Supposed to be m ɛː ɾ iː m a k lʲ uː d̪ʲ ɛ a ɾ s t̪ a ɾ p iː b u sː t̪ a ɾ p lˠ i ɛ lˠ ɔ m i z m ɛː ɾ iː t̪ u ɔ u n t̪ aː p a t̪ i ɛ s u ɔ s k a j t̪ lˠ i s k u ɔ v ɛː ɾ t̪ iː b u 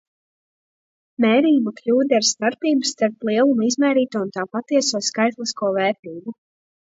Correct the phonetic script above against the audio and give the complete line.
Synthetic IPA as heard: m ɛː ɾ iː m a k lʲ uː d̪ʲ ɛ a ɾ s t̪ a ɾ p iː b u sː t̪ a ɾ p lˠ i ɛ lˠ u m i z m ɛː ɾ iː t̪ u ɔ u n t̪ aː p a t̪ i ɛ s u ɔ s k a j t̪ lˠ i s k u ɔ v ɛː ɾ t̪ iː b u